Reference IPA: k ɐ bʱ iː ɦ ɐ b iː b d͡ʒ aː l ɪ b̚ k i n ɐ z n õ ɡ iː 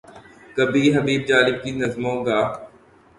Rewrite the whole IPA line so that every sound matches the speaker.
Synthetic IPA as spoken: k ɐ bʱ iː ɦ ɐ b iː b d͡ʒ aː l ɪ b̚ k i n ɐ z m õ ɡ aː